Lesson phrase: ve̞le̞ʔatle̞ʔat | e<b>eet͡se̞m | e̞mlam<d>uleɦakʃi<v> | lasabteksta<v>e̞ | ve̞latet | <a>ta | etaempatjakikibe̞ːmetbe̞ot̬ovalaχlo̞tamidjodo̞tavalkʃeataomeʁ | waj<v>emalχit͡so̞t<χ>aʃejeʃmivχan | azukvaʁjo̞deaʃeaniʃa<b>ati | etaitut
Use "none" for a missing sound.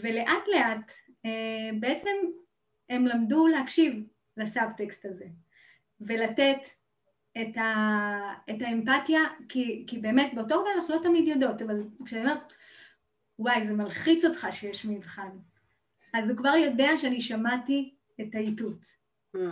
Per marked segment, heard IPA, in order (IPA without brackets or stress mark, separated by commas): b, d, v, z, e, z, χ, m